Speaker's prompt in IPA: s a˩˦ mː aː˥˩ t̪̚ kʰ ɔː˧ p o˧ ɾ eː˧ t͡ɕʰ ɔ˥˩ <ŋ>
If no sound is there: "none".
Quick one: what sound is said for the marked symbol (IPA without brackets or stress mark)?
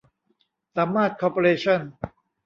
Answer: n